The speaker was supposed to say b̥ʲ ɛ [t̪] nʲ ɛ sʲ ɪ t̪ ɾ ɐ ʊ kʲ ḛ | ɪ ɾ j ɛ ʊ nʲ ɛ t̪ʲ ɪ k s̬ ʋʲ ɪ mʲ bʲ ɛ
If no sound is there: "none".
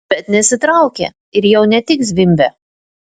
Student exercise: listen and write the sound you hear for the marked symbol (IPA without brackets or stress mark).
t̪